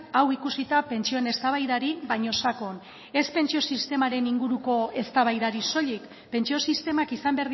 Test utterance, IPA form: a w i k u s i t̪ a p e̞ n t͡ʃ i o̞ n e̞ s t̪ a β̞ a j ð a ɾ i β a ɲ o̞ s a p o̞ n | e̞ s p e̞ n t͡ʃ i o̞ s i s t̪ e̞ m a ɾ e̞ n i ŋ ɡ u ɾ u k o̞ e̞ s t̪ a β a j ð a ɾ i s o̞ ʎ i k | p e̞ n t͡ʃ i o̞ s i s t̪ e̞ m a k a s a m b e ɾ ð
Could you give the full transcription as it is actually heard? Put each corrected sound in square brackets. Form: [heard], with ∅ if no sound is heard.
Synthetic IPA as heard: a w i k u s i t̪ a p e̞ n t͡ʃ i o̞ n e̞ s t̪ a β̞ a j ð a ɾ i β a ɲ o̞ s a [k] o̞ n | e̞ s p e̞ n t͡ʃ i o̞ s i s t̪ e̞ m a ɾ e̞ n i ŋ ɡ u ɾ u k o̞ e̞ s t̪ a β a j ð a ɾ i s o̞ ʎ i k | p e̞ n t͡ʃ i o̞ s i s t̪ e̞ m a k [i] s a m b e ɾ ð